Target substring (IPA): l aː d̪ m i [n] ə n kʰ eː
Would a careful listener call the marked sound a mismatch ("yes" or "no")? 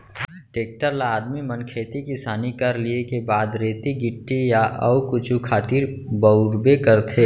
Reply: yes